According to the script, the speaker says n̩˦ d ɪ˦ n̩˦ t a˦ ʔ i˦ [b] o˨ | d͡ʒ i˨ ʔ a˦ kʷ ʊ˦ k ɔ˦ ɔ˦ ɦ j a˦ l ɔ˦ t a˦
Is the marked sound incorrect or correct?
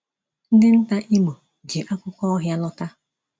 incorrect